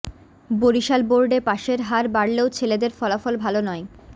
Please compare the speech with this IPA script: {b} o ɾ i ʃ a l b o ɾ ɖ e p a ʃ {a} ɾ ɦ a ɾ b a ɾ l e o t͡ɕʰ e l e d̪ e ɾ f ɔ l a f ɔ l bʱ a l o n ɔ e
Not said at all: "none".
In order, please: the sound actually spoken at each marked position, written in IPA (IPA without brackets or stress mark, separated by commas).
b, e